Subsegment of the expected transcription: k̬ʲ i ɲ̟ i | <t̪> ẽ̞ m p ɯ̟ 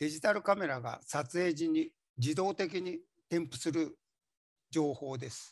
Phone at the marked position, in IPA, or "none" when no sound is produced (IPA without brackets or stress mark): t̪